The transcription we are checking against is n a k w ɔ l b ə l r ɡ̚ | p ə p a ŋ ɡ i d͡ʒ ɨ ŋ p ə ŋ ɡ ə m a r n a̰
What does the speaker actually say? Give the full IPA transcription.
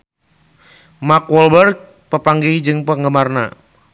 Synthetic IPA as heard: m a k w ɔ l b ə r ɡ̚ | p ə p a ŋ ɡ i d͡ʒ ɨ ŋ p ə ŋ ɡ ə m a r n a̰

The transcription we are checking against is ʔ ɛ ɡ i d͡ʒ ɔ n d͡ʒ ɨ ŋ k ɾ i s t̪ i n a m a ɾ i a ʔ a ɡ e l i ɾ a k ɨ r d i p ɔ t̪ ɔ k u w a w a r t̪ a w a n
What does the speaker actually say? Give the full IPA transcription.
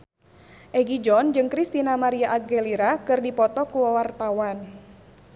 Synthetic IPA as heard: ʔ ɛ ɡ i d͡ʒ ɔ n d͡ʒ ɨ ŋ k ɾ i s t̪ i n a m a ɾ i a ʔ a ɡ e l i ɾ a k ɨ r d i p ɔ t̪ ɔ k u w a w a r t̪ a w a n

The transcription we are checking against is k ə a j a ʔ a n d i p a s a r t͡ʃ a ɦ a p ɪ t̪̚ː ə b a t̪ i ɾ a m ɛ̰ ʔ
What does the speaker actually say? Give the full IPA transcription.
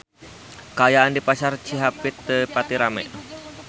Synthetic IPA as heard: k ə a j a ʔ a n d i p a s a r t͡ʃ i ɦ a p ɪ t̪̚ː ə p a t̪ i ɾ a m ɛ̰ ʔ

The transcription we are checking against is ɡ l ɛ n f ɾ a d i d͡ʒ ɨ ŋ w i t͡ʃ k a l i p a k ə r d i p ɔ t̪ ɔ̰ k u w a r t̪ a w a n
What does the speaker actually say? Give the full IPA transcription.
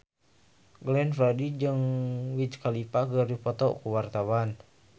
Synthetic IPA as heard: ɡ l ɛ n f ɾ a d i d͡ʒ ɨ ŋ w i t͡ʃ k a l i p a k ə r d i p ɔ t̪ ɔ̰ k u w a r t̪ a w a n

